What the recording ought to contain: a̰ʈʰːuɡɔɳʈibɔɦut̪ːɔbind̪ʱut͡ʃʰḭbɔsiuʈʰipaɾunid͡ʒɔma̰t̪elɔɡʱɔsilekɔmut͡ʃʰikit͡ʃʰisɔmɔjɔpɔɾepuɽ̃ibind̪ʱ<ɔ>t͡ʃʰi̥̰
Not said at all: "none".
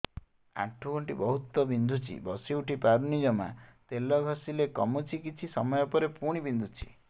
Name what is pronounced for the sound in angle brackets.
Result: u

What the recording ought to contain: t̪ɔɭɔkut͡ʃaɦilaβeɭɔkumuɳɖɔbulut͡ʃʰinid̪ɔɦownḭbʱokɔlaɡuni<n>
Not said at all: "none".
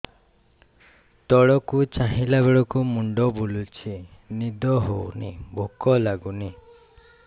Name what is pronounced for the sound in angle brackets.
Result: none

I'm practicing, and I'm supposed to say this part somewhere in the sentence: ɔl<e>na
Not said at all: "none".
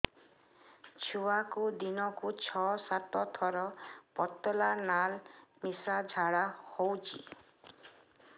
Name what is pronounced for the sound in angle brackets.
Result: a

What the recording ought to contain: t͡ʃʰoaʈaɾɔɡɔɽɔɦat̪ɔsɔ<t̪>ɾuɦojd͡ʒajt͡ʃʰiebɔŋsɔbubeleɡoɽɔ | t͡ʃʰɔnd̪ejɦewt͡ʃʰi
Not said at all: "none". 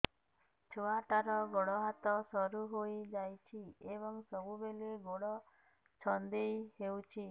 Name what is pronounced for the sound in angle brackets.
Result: none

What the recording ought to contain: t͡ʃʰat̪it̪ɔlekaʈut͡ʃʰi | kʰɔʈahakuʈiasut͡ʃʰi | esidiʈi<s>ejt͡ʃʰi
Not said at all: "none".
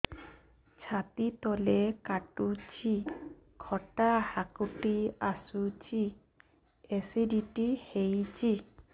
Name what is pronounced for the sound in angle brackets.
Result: h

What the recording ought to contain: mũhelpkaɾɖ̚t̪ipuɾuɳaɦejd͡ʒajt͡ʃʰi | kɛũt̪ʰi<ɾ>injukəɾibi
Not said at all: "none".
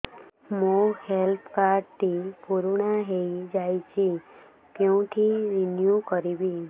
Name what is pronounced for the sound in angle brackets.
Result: ɾ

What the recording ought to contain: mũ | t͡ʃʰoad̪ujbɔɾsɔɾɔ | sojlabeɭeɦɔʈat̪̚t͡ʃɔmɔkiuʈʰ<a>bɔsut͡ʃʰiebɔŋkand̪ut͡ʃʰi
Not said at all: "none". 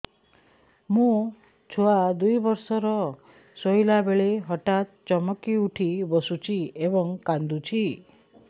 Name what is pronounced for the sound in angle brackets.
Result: i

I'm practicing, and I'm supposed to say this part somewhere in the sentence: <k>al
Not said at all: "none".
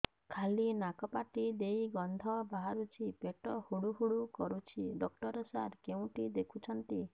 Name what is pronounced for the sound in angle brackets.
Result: kʰ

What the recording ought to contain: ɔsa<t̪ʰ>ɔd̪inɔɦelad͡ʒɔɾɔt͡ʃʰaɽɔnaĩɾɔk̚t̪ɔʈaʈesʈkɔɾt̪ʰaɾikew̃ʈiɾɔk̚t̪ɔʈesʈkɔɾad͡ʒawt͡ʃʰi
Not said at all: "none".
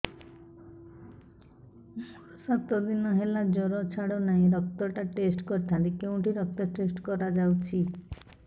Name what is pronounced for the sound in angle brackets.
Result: t̪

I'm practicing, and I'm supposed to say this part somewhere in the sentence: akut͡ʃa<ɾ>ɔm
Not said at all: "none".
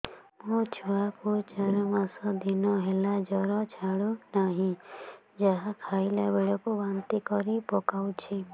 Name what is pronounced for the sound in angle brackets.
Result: ɾ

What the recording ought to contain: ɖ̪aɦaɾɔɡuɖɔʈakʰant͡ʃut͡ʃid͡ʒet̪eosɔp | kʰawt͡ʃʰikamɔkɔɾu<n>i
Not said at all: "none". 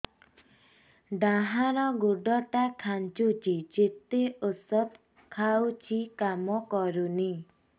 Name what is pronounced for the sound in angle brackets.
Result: n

